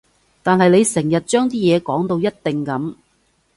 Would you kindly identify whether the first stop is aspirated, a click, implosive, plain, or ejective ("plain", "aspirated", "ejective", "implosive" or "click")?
plain